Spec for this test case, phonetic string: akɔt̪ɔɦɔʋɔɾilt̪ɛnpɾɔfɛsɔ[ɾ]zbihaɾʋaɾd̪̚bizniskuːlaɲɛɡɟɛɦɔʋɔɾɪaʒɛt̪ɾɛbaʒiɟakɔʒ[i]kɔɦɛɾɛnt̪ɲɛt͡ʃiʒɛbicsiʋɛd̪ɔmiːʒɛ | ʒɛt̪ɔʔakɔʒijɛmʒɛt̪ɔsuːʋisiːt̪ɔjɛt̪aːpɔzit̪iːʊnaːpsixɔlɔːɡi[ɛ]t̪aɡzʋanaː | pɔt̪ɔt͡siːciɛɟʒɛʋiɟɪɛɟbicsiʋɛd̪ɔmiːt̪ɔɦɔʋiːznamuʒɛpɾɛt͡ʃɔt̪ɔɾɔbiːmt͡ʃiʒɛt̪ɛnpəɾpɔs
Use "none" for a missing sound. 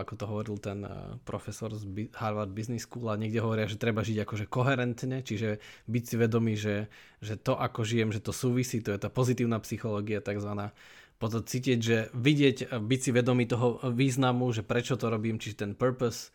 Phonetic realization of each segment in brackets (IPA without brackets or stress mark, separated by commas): ɾ, ɛ, a